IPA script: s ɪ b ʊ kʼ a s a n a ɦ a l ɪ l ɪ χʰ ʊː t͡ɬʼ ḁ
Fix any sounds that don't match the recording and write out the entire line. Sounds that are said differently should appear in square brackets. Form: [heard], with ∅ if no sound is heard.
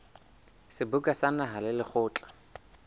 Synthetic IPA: s ɪ b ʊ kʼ a s a n a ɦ a l ɪ l ɪ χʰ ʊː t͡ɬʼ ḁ